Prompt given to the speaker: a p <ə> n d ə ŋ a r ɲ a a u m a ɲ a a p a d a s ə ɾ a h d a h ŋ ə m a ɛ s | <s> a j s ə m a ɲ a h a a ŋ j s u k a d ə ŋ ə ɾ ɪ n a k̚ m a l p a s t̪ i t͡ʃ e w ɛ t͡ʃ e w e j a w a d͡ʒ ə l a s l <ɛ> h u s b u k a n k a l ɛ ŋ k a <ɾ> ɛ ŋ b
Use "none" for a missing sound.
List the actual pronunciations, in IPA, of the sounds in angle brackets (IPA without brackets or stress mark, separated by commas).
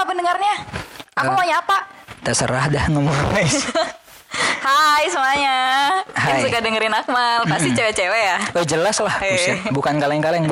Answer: ə, h, a, l